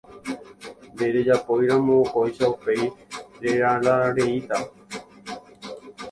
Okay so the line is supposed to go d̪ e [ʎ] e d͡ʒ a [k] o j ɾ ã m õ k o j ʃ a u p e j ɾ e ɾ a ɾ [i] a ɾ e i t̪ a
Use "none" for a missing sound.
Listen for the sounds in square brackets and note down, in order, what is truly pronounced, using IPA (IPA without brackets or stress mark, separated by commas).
ɾ, p, a